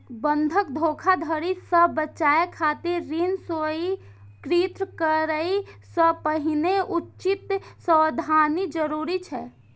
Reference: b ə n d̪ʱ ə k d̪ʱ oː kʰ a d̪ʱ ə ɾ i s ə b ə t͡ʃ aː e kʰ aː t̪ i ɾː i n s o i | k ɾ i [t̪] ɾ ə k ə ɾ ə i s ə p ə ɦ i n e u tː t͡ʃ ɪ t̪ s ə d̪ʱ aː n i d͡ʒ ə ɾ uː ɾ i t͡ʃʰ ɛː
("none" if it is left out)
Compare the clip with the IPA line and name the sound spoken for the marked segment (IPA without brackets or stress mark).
t̪